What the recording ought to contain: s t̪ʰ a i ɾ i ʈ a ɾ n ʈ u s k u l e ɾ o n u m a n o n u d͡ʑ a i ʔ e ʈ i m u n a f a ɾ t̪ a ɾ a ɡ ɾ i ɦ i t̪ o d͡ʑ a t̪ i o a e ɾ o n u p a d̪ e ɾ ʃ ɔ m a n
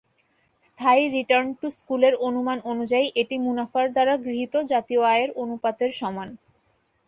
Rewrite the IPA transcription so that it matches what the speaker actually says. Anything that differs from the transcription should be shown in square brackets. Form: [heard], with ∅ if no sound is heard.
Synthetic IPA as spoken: s t̪ʰ a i ɾ i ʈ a ɾ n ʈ u s k u l e ɾ o n u m a n o n u d͡ʑ a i ʔ e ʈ i m u n a f a ɾ [d̪] a ɾ a ɡ ɾ i ɦ i t̪ o d͡ʑ a t̪ i o a e ɾ o n u p a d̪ e ɾ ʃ ɔ m a n